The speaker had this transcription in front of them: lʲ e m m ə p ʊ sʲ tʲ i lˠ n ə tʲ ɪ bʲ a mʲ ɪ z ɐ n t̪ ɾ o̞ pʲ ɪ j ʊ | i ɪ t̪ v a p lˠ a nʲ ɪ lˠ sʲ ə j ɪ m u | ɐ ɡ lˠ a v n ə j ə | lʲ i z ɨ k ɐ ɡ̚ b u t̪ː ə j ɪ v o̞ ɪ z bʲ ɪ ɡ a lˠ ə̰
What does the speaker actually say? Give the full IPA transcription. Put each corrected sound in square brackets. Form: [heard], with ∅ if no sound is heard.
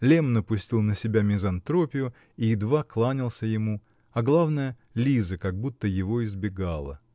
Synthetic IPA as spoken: lʲ e m [n] ə p ʊ sʲ tʲ i lˠ n ə [sʲ] ɪ bʲ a mʲ ɪ z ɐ n t̪ ɾ o̞ pʲ ɪ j ʊ | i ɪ [d̪] v a [k] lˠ a nʲ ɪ lˠ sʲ ə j ɪ m u | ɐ ɡ lˠ a v n ə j ə | lʲ i z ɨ k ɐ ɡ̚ b u t̪ː ə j ɪ v o̞ ɪ z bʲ ɪ ɡ a lˠ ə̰

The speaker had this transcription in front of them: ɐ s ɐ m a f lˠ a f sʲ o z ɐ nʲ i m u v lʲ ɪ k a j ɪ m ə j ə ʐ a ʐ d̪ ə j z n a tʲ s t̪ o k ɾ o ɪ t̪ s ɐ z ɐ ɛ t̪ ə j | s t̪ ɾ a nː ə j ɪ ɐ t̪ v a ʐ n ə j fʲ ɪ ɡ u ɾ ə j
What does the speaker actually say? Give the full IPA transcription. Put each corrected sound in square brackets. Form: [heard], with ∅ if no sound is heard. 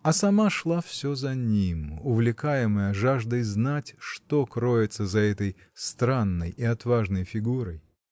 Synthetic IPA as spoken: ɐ s ɐ m a [ʂ] lˠ a f sʲ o z ɐ nʲ i m [ʊ] v lʲ ɪ k a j ɪ m ə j ə ʐ a ʐ d̪ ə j z n a tʲ [ʂ] t̪ o k ɾ o ɪ t̪ s [ə] z ɐ ɛ t̪ ə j | s t̪ ɾ a nː ə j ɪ ɐ t̪ v a ʐ n ə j fʲ ɪ ɡ u ɾ ə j

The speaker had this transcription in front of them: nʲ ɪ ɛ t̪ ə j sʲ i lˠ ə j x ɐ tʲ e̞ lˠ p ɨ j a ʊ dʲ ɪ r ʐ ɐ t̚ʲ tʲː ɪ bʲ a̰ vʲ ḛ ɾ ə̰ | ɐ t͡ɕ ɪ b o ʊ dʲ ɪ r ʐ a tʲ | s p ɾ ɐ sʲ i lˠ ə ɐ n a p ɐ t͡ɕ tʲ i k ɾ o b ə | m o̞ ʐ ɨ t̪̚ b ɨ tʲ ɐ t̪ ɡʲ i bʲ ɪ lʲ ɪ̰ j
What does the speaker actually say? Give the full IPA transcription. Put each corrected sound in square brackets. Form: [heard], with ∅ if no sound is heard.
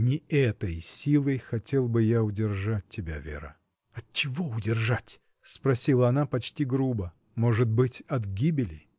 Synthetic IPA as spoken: nʲ ɪ ɛ t̪ ə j sʲ i lˠ ə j x ɐ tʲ e̞ lˠ [b] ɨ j a ʊ dʲ ɪ r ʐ [a] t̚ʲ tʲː ɪ bʲ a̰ vʲ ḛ ɾ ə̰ | ɐ t͡ɕ ɪ [v] o ʊ dʲ ɪ r ʐ a tʲ | s p ɾ ɐ sʲ i lˠ ə ɐ n a p ɐ t͡ɕ tʲ i [ɡ] ɾ [u] b ə | m o̞ ʐ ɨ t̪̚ b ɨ tʲ ɐ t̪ ɡʲ i bʲ ɪ lʲ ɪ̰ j

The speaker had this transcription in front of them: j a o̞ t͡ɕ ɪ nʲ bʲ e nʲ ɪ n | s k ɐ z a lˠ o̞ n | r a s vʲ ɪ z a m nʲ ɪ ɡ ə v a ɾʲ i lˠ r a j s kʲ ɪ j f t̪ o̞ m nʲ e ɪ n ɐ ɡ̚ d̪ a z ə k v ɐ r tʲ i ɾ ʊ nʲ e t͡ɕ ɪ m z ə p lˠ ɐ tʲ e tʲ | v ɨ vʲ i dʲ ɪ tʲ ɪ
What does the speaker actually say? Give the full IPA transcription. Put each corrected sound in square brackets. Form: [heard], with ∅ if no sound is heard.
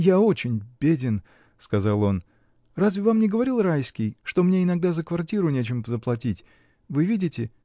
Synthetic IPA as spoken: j a o̞ t͡ɕ ɪ nʲ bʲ e [dʲ] ɪ n | s k ɐ z a lˠ o̞ n | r a [z] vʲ ɪ [v] a m nʲ ɪ ɡ ə v [ɐ] ɾʲ i lˠ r a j s kʲ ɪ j [ʂ] t̪ o̞ m nʲ e ɪ n ɐ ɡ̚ d̪ a z ə k v ɐ r tʲ i ɾ ʊ nʲ e t͡ɕ ɪ m z ə p lˠ ɐ tʲ [i] tʲ | v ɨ vʲ i dʲ ɪ tʲ ɪ

